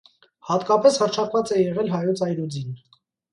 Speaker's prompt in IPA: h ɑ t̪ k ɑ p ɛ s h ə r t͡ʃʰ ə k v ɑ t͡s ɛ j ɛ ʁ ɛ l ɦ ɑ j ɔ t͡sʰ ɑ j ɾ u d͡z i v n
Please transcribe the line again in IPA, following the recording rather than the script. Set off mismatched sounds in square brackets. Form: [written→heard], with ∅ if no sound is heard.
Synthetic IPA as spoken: h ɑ t̪ k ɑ p ɛ s h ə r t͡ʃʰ [ə→ɑ] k v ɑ t͡s ɛ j ɛ ʁ ɛ l ɦ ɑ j ɔ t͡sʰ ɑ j ɾ u d͡z i [v→∅] n